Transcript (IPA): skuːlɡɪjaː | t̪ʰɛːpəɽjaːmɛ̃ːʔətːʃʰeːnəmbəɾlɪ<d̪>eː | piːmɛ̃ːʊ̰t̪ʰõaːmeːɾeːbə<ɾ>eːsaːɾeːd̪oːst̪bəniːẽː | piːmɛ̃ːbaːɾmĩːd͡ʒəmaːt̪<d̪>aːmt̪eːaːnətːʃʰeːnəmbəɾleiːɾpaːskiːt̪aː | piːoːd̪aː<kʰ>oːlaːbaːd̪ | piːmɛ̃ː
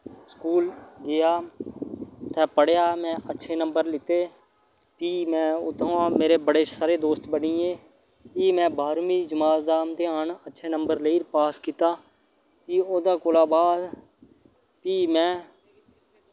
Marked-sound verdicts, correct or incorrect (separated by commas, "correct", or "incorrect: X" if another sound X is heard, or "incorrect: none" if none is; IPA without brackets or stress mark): incorrect: t̪, incorrect: ɽ, correct, incorrect: k